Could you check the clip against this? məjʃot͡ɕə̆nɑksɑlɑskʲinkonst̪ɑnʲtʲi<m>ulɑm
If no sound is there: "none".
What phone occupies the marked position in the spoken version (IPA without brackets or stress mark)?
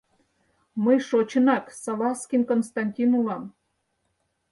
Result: n